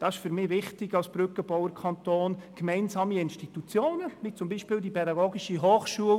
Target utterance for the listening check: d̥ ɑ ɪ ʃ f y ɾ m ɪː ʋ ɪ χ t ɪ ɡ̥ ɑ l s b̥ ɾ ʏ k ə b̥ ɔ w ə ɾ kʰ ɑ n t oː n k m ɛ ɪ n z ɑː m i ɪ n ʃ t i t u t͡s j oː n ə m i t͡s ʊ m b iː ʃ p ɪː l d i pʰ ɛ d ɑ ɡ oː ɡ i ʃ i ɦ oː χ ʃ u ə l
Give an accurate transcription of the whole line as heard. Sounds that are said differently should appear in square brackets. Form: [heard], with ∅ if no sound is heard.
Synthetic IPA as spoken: d̥ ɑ ɪ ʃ f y ɾ m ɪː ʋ ɪ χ t ɪ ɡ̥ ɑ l s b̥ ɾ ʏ k ə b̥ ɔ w ə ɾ kʰ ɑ n t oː n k m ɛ ɪ n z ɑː m i ɪ n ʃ t i t u t͡s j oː n ə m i t͡s ʊ m b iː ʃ p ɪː l d i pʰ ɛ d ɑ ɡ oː ɡ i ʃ i ɦ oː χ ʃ u ə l